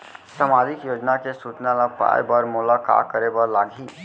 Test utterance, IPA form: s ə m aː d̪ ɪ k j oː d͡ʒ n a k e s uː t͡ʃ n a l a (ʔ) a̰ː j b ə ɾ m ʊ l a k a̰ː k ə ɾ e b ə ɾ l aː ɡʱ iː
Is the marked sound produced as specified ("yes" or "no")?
no